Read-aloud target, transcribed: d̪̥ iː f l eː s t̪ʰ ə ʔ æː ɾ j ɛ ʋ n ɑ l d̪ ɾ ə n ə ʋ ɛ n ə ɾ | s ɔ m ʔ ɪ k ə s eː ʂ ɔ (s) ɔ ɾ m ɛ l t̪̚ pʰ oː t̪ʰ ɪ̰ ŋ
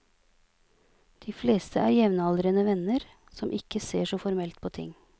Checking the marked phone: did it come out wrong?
yes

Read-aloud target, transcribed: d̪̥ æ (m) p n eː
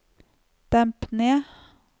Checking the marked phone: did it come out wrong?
no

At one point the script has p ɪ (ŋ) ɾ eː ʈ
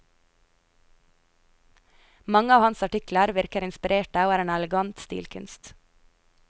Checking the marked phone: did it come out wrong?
yes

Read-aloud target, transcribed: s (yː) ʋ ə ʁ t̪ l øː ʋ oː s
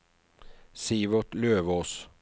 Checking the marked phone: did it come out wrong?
yes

